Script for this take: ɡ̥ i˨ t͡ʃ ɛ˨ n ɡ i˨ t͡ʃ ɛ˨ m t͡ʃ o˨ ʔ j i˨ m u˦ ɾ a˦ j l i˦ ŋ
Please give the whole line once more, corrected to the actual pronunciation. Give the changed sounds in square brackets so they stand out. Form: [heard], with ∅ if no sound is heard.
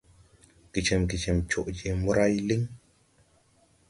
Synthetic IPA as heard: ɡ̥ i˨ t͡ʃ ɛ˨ [m] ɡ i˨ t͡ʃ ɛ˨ m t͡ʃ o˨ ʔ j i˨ m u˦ ɾ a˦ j l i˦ ŋ